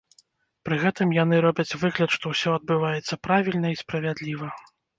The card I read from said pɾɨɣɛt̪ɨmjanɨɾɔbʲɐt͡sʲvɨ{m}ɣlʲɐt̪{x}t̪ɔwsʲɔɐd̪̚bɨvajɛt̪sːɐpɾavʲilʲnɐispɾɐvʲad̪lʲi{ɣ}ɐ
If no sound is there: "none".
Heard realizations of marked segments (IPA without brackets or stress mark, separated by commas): none, ʂ, v